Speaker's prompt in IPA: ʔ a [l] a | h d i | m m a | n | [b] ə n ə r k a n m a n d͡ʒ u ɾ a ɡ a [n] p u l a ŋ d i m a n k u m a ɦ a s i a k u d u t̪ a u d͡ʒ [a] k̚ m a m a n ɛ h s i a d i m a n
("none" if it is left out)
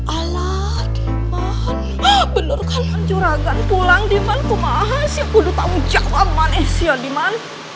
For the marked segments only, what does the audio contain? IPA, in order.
l, b, n, a

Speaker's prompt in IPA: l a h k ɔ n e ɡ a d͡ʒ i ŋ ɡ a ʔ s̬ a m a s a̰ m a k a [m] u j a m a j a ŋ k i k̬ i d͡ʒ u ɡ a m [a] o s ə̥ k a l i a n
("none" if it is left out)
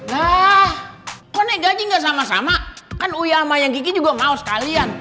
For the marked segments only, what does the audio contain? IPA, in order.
n, a

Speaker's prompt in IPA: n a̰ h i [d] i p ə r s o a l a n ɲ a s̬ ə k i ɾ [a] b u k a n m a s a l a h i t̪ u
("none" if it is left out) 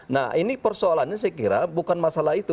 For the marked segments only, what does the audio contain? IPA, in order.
n, a

